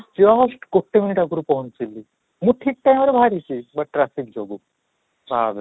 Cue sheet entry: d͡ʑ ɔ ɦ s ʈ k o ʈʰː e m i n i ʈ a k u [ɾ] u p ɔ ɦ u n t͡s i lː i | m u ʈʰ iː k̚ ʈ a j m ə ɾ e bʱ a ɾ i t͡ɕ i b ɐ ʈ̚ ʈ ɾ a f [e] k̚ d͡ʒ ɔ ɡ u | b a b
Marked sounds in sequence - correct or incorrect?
correct, incorrect

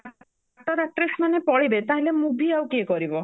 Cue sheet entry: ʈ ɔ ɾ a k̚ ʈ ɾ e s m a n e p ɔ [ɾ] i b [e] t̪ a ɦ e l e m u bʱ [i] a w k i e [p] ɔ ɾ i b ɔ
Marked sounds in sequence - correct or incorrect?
incorrect, correct, correct, incorrect

